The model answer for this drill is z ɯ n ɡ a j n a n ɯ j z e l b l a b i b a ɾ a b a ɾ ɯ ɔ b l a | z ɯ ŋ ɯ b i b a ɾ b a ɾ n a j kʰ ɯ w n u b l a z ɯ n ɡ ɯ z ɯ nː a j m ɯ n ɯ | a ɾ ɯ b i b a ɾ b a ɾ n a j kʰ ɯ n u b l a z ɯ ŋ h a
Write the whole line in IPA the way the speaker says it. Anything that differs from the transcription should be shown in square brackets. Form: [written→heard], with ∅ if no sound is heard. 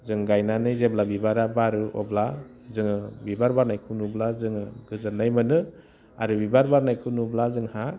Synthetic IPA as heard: z ɯ [n→ŋ] ɡ a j n a n ɯ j z e [l→∅] b l a b i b a ɾ a b a ɾ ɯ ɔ b l a | z ɯ ŋ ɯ b i b a ɾ b a ɾ n a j kʰ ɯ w n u b l a z ɯ [n→ŋ] ɡ ɯ z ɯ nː a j m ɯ n ɯ | a ɾ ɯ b i b a ɾ b a ɾ n a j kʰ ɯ n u b l a z ɯ ŋ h a